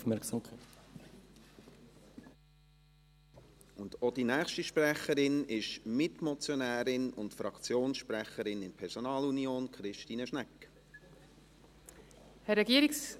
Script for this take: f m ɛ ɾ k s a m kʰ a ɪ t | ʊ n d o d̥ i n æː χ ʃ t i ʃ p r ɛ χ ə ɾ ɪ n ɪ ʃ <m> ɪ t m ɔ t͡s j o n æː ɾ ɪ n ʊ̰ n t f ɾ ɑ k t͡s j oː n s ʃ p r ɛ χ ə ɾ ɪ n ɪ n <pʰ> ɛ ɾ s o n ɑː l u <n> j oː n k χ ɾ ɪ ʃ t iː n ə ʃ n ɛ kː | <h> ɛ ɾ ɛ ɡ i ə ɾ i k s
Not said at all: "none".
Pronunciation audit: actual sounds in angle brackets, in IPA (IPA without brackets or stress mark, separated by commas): m, pʰ, n, h